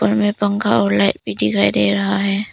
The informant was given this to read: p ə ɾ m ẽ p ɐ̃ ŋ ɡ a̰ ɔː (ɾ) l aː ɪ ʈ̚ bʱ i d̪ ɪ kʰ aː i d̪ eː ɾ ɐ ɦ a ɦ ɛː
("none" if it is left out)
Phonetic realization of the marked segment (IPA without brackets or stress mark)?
ɾ